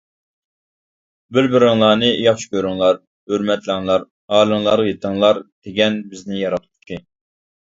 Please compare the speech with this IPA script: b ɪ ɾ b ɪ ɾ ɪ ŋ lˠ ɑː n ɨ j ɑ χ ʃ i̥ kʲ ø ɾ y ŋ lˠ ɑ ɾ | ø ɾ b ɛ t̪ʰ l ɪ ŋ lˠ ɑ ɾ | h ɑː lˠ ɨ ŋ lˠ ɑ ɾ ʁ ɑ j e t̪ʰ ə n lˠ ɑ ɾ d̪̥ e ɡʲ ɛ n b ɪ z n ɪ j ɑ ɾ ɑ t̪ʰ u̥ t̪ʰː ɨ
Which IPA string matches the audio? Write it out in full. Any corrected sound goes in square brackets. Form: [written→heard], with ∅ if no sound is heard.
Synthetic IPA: b ɪ ɾ b ɪ ɾ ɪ ŋ lˠ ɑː n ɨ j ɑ χ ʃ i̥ kʲ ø ɾ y ŋ lˠ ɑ ɾ | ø ɾ [b→m] ɛ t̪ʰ l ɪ ŋ lˠ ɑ ɾ | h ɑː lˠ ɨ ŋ lˠ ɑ ɾ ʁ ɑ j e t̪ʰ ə [n→ŋ] lˠ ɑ ɾ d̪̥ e ɡʲ ɛ n b ɪ z n ɪ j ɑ ɾ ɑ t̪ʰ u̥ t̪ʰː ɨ

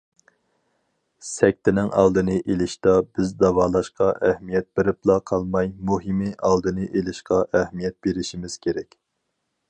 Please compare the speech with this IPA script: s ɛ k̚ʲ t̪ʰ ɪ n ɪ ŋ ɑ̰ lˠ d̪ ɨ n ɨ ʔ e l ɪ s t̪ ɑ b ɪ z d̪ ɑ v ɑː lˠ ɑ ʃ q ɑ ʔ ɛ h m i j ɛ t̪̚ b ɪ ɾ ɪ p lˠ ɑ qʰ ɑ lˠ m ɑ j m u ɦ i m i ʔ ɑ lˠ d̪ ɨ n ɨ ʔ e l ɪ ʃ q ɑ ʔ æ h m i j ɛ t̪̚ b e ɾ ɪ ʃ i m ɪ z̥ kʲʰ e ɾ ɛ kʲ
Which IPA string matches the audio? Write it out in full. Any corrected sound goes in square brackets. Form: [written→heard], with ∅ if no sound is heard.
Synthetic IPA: s ɛ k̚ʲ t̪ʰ ɪ n ɪ ŋ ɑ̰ lˠ d̪ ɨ n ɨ ʔ e l ɪ [s→ʃ] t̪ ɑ b ɪ z d̪ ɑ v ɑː lˠ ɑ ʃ q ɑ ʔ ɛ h m i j ɛ t̪̚ b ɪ ɾ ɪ p lˠ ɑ qʰ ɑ lˠ m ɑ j m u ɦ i m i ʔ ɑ lˠ d̪ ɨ n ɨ ʔ e l ɪ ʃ q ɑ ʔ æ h m i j ɛ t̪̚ b e ɾ ɪ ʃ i m ɪ z̥ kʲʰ e ɾ ɛ kʲ

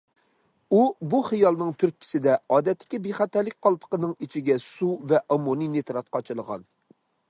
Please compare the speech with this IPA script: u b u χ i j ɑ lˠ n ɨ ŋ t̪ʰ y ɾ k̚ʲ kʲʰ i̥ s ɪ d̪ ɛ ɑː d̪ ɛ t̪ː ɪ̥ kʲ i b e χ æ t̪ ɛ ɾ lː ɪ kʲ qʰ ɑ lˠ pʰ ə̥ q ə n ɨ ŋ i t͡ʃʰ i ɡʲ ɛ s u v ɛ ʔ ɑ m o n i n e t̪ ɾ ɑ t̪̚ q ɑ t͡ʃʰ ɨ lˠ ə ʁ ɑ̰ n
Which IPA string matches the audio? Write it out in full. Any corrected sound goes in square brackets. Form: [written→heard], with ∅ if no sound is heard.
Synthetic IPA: u b u χ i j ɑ lˠ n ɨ ŋ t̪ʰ y ɾ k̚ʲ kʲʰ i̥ s ɪ d̪ ɛ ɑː d̪ ɛ t̪ː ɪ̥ kʲ i b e χ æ t̪ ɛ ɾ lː ɪ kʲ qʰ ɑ lˠ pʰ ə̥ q ə n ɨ ŋ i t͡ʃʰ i ɡʲ ɛ s u v ɛ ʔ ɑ m o n i n e t̪ ɾ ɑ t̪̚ q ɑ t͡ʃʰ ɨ lˠ ə ʁ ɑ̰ n

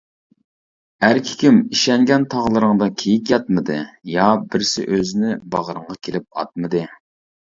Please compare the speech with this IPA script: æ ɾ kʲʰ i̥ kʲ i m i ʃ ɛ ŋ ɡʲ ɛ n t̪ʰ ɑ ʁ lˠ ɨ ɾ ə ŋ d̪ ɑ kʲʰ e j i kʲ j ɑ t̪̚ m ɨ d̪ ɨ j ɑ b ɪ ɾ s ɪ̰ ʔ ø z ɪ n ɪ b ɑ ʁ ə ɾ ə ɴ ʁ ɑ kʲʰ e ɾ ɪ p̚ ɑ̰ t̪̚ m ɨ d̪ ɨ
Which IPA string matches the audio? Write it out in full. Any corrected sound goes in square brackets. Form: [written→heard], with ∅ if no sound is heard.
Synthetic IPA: æ ɾ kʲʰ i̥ kʲ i m i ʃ ɛ ŋ ɡʲ ɛ n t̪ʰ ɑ ʁ lˠ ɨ ɾ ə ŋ d̪ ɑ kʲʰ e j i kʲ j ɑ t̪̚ m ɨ d̪ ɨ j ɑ b ɪ ɾ s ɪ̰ ʔ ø z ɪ n ɪ b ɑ ʁ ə ɾ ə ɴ ʁ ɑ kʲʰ e [ɾ→l] ɪ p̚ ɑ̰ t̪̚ m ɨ d̪ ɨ

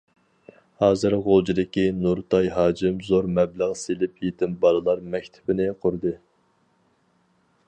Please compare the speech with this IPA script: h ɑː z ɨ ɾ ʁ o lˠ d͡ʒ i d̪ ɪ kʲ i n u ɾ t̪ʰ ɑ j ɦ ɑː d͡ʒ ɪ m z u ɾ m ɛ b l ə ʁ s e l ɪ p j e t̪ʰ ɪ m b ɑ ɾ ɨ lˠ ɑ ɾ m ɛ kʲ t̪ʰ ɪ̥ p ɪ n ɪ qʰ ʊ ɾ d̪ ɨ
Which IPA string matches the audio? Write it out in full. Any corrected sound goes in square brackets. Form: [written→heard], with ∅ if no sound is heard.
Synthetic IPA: h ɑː z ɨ ɾ ʁ o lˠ d͡ʒ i d̪ ɪ kʲ i n u ɾ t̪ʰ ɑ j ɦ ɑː d͡ʒ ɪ m z [u→o] ɾ m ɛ b l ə ʁ s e l ɪ p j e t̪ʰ ɪ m b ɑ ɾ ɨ lˠ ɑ ɾ m ɛ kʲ t̪ʰ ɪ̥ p ɪ n ɪ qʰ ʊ ɾ d̪ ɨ

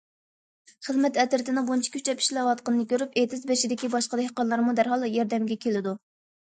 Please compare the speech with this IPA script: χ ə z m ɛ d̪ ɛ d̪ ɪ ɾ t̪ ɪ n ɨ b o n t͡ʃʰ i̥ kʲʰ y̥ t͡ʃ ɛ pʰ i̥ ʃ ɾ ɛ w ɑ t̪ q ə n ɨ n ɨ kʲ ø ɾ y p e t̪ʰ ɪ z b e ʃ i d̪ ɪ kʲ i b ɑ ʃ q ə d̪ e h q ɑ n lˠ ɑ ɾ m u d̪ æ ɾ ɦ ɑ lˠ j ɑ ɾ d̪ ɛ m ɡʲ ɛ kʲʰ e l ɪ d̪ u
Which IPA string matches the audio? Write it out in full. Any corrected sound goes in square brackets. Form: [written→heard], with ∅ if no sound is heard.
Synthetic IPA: χ ə z m ɛ [d̪→t̪] ɛ [d̪→t̪] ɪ ɾ t̪ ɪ n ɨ b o n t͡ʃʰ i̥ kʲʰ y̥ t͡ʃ ɛ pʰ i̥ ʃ [ɾ→l] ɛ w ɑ t̪ q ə n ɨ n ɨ kʲ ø ɾ y p e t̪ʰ ɪ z b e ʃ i d̪ ɪ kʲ i b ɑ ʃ q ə d̪ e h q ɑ n lˠ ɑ ɾ m u d̪ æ ɾ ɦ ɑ lˠ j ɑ ɾ d̪ ɛ m ɡʲ ɛ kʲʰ e l ɪ d̪ u

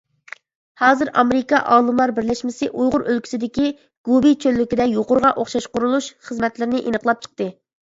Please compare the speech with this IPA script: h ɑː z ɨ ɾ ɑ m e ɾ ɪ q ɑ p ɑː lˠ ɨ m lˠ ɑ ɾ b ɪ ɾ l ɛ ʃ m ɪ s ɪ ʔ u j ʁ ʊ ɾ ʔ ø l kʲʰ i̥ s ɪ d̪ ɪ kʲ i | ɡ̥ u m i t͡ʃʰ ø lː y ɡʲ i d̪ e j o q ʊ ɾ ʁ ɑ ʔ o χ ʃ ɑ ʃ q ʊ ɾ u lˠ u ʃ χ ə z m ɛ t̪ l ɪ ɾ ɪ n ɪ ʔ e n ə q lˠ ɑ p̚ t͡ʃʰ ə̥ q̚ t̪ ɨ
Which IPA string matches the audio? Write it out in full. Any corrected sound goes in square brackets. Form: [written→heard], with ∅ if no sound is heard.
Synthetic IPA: h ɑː z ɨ ɾ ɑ m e ɾ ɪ [q→k] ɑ [p→ʔ] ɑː lˠ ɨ m lˠ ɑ ɾ b ɪ ɾ l ɛ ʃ m ɪ s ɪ ʔ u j ʁ ʊ ɾ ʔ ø l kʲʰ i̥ s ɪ d̪ ɪ kʲ i | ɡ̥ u [m→b] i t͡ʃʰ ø lː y [ɡʲ→kʲ] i d̪ [e→ɛ] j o q ʊ ɾ ʁ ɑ ʔ o χ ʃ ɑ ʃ q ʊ ɾ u lˠ u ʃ χ ə z m ɛ t̪ l ɪ ɾ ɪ n ɪ ʔ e n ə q lˠ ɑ p̚ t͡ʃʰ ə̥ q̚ t̪ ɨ

